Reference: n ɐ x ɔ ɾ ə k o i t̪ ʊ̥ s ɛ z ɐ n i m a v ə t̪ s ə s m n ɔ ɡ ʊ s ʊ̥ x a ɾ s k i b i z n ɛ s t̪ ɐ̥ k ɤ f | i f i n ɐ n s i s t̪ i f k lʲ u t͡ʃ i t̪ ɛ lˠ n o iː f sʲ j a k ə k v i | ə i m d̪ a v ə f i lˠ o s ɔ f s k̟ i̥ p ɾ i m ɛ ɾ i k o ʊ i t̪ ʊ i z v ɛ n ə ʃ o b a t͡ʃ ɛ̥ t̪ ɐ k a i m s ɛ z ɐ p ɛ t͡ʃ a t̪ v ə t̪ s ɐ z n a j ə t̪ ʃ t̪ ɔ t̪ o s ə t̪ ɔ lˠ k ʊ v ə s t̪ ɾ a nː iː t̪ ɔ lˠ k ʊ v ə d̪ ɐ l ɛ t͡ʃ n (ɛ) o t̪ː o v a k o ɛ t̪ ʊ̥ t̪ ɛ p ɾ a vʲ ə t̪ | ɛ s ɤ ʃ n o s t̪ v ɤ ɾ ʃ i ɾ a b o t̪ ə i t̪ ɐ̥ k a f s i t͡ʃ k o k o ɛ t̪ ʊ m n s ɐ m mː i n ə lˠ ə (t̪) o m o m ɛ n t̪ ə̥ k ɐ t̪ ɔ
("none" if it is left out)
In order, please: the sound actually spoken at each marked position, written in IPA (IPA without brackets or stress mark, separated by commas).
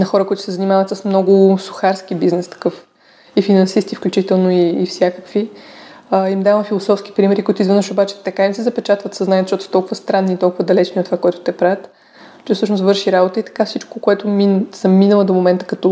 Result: i, d̪